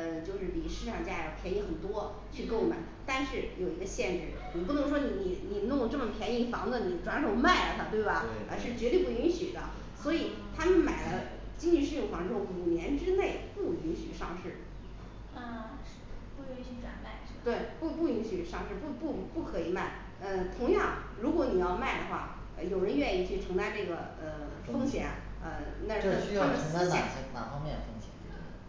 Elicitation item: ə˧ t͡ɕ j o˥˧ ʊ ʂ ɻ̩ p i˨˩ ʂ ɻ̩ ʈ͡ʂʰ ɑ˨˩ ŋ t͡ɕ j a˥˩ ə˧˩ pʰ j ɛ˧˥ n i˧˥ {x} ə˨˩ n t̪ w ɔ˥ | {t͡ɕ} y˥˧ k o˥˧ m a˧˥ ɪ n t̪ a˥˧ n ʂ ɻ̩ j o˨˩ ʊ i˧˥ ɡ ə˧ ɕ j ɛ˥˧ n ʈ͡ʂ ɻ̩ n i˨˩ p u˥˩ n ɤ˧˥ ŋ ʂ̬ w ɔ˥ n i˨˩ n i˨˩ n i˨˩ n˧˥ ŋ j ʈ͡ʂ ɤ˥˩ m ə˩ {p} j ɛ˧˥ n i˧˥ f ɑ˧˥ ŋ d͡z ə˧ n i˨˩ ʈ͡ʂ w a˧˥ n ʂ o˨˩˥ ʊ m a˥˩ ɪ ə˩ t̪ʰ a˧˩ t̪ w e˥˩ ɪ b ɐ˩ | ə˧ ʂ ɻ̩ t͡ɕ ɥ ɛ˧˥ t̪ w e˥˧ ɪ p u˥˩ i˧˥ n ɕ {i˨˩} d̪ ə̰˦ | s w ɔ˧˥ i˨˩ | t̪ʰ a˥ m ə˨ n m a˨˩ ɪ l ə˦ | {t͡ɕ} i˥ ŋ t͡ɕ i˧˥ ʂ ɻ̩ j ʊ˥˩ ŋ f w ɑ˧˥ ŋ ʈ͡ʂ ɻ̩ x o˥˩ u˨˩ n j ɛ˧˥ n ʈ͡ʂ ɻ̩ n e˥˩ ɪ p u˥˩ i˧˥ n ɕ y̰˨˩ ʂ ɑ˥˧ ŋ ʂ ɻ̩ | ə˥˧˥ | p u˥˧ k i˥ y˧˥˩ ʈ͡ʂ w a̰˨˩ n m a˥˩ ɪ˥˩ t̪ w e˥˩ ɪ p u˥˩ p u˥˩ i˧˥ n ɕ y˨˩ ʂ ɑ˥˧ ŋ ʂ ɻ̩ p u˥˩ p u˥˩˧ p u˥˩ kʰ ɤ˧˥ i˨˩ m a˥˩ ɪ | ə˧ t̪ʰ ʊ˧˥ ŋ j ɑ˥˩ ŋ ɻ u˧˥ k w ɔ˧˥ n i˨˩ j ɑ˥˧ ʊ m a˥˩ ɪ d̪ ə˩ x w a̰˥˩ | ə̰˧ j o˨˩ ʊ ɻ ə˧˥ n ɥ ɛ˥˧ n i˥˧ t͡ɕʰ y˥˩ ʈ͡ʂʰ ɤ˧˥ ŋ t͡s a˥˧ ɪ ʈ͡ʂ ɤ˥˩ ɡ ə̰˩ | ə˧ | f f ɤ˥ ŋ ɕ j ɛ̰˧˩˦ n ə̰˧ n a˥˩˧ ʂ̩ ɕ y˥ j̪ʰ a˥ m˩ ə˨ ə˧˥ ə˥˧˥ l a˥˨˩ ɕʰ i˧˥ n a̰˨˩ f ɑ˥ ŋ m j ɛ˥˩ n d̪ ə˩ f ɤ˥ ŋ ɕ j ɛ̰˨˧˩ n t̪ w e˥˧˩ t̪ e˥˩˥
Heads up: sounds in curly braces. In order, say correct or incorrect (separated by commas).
correct, incorrect, incorrect, incorrect, correct